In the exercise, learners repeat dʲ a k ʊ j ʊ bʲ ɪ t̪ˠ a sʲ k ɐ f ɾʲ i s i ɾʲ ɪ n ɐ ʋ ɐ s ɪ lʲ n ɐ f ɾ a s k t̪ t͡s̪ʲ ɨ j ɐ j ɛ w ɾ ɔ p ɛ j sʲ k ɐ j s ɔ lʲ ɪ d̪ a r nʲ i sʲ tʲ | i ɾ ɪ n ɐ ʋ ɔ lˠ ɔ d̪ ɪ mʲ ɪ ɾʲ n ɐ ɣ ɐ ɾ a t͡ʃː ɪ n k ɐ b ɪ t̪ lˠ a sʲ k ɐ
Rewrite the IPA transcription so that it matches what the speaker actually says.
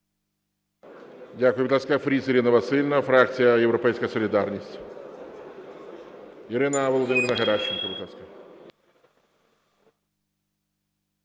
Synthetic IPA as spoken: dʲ a k ʊ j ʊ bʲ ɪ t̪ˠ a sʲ k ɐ f ɾʲ i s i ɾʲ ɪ n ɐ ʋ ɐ s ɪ lʲ n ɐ f ɾ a k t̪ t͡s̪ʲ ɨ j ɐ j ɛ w ɾ ɔ p ɛ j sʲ k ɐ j s ɔ lʲ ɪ d̪ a r nʲ i sʲ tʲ | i ɾ ɪ n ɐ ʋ ɔ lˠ ɔ d̪ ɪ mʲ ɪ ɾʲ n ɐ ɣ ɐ ɾ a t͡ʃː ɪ n k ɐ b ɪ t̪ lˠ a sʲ k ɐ